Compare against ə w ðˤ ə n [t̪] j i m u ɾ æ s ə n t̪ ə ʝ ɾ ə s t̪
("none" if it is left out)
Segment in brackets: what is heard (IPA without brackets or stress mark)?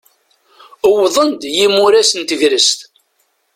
d̪